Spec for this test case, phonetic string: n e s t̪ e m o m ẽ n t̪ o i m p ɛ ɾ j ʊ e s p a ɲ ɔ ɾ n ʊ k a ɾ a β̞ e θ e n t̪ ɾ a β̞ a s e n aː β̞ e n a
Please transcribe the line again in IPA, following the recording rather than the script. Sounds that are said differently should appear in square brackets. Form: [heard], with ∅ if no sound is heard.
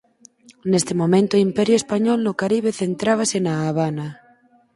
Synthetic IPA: n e s t̪ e m o m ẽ n t̪ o i m p ɛ ɾ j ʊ e s p a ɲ ɔ [l] n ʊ k a ɾ [i] β̞ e θ e n t̪ ɾ a β̞ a s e n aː β̞ [a] n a